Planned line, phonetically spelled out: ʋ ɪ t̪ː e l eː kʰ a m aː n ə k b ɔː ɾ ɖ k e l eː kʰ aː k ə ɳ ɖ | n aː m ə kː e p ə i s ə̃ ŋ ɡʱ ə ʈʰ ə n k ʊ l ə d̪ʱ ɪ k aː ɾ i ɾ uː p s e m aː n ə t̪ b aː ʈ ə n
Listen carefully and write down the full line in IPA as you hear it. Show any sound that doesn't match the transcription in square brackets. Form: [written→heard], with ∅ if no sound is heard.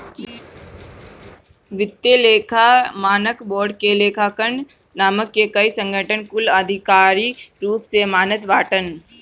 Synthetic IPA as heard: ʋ ɪ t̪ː e l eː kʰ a m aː n ə k b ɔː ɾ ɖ k e l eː kʰ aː k ə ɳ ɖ | n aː m ə kː e [p→k] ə i s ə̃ ŋ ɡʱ ə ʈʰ ə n k ʊ l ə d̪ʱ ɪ k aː ɾ i ɾ uː p s e m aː n ə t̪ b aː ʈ ə n